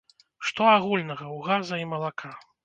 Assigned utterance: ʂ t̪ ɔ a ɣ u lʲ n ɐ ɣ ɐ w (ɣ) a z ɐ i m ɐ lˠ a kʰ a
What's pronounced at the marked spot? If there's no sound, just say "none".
ɣ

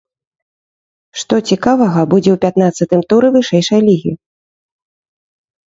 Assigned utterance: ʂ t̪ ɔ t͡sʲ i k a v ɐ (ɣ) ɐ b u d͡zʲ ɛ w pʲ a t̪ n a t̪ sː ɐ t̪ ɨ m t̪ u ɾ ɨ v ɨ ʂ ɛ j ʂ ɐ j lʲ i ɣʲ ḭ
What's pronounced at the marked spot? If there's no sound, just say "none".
ɣ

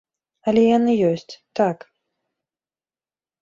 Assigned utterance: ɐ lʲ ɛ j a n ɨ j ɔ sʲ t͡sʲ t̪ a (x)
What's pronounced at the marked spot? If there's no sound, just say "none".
k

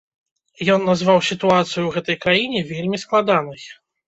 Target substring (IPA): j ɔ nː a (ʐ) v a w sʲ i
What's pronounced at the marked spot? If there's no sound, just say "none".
z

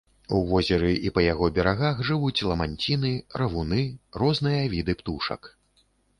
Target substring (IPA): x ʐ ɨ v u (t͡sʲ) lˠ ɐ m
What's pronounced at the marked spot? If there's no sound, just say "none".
t͡sʲ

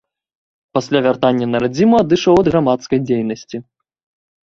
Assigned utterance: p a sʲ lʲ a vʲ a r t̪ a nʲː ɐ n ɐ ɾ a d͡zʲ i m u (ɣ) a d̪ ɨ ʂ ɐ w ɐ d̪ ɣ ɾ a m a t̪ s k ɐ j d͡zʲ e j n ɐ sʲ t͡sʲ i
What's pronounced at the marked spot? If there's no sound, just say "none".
none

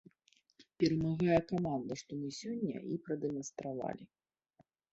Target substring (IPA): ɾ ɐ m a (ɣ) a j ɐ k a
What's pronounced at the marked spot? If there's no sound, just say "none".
ɣ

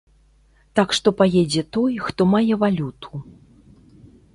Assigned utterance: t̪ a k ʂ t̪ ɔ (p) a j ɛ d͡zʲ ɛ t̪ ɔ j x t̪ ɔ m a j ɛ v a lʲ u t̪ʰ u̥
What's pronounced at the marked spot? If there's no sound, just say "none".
p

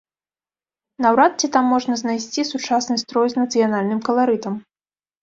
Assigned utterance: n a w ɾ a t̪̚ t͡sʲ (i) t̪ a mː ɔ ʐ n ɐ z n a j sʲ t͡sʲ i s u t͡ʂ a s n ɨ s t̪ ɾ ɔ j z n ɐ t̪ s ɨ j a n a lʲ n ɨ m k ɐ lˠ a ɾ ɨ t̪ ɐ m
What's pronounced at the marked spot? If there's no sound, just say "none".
i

